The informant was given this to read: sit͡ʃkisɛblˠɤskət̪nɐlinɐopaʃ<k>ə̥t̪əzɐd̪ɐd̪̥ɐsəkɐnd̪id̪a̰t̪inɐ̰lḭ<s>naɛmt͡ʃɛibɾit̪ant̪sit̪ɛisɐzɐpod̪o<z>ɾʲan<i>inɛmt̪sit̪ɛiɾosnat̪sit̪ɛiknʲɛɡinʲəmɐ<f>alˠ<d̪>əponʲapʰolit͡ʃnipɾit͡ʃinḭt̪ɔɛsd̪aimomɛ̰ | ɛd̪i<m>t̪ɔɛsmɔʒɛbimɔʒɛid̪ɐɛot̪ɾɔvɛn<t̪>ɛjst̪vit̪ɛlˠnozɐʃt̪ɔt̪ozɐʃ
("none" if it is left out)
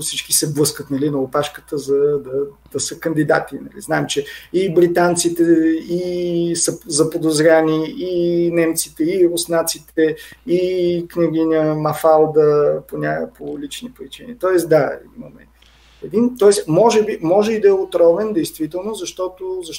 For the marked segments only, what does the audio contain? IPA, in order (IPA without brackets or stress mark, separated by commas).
k, z, z, i, f, d̪, n, d̪